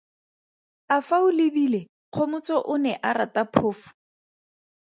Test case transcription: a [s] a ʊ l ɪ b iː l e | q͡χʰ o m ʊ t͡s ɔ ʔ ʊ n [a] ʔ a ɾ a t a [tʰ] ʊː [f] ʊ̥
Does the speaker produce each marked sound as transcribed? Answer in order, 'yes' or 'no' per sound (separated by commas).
no, no, no, yes